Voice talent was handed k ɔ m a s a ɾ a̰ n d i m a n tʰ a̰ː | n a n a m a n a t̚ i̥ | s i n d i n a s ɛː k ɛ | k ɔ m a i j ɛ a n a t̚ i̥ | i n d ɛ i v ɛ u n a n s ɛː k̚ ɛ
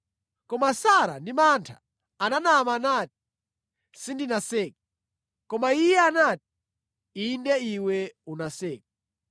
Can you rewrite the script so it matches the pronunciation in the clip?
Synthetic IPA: k ɔ m a s a ɾ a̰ n d i m a n tʰ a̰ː | n a n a m a n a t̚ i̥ | s i n d i n a s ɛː k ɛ | k ɔ m a i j ɛ a n a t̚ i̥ | i n d ɛ i w ɛ u n a s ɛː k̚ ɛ